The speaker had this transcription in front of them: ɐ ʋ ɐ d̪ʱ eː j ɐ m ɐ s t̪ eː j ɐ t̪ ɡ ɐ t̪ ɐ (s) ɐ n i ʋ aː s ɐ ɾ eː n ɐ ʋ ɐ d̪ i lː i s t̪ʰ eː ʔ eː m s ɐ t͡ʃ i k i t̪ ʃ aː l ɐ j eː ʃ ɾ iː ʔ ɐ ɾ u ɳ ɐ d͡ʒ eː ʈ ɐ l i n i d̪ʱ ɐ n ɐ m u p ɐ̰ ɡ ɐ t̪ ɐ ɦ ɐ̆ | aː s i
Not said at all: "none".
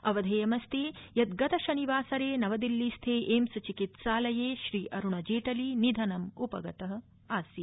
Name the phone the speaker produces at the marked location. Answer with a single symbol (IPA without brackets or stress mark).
ʃ